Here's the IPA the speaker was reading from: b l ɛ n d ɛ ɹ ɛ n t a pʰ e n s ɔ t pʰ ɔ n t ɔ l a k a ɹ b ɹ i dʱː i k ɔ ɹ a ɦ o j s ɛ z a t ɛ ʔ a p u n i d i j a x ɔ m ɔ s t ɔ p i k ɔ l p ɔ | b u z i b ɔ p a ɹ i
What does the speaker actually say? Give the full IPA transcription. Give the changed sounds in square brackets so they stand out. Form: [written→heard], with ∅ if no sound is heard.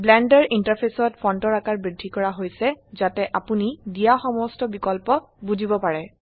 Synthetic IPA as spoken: b l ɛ n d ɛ ɹ [ɛ→i] n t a pʰ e [n→∅] s ɔ t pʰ ɔ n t ɔ [l→ɹ] a k a ɹ b ɹ i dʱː i k ɔ ɹ a ɦ o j s ɛ z a t ɛ ʔ a p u n i d i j a x ɔ m ɔ s t ɔ [p→b] i k ɔ l p ɔ | b u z i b ɔ p a ɹ [i→ɛ]